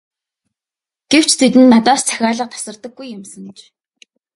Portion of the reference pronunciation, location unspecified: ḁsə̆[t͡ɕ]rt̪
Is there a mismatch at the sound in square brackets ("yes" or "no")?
yes